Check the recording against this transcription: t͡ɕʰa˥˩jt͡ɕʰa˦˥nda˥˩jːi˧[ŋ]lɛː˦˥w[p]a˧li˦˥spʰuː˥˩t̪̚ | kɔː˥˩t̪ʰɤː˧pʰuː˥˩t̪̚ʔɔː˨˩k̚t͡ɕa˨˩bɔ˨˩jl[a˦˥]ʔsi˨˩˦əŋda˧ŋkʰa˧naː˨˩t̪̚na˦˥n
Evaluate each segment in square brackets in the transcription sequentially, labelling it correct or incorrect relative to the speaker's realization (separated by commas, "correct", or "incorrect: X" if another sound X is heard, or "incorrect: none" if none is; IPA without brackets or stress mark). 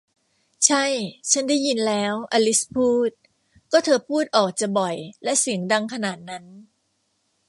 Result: incorrect: n, incorrect: ʔ, incorrect: ɛ˦˥